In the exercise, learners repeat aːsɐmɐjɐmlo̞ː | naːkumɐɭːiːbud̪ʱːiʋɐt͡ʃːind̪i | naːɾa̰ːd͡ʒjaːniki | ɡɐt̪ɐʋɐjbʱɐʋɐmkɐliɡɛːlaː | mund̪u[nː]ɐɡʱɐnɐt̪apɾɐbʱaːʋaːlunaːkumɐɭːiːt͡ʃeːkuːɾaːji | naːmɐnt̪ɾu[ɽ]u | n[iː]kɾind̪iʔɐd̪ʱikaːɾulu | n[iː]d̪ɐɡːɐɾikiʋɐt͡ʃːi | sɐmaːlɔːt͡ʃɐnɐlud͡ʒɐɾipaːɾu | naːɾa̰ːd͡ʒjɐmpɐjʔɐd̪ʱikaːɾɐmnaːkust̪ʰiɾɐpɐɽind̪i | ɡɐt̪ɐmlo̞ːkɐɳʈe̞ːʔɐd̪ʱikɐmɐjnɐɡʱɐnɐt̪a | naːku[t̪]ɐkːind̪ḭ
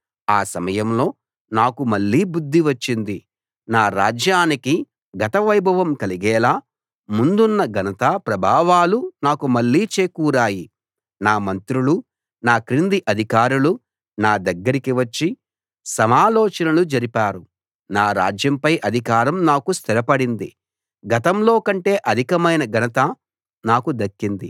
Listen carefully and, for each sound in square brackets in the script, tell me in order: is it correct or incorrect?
correct, incorrect, incorrect, incorrect, incorrect

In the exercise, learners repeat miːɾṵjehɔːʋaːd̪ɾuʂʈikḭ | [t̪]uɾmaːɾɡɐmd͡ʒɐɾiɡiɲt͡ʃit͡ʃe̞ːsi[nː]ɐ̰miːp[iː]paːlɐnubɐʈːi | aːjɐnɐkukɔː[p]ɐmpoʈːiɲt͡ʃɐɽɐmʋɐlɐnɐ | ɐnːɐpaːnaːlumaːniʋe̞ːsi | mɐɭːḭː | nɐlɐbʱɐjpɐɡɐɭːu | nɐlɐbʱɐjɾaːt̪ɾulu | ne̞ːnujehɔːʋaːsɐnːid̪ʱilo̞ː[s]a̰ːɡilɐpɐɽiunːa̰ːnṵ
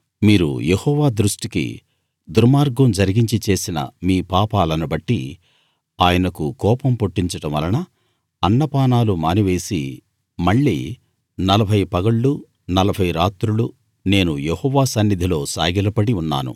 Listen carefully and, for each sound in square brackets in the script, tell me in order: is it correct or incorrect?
incorrect, incorrect, incorrect, correct, correct

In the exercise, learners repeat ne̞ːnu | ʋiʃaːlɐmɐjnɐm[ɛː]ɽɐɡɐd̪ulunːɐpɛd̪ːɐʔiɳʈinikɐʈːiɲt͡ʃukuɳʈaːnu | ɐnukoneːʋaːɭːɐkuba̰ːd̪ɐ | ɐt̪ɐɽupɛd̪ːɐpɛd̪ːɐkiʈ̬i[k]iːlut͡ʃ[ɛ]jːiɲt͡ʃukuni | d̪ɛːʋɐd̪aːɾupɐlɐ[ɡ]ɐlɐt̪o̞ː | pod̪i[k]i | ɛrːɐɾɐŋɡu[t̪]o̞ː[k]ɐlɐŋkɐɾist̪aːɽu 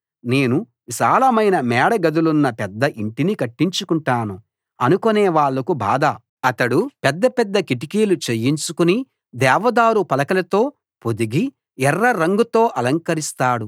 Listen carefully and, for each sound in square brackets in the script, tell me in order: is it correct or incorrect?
correct, correct, incorrect, incorrect, incorrect, correct, incorrect

